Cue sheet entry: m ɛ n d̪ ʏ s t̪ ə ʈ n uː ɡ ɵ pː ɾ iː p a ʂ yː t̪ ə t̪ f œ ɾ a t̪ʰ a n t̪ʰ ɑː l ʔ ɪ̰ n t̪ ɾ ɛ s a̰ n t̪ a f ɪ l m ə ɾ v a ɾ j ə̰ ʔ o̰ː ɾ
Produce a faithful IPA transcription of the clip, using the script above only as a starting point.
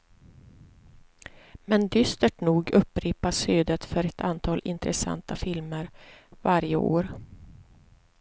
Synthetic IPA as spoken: m ɛ n d̪ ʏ s t̪ ə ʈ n uː ɡ ɵ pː ɾ iː p a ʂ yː d̪ ə t̪ f œ ɾ ɛ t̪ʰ a n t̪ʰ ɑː l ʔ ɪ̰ n t̪ ɾ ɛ s a̰ n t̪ a f ɪ l m ə ɾ v a ɾ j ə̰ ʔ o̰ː ɾ